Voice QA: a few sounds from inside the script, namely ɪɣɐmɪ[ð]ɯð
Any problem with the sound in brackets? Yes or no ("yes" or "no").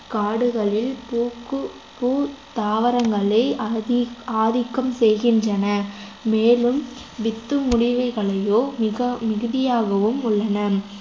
yes